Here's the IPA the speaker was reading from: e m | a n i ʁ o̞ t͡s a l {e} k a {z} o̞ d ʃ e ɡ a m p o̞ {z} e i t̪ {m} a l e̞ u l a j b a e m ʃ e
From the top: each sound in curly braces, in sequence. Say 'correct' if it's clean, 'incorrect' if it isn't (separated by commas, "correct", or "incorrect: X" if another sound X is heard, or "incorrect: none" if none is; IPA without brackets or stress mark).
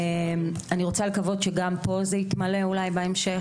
correct, incorrect: v, correct, correct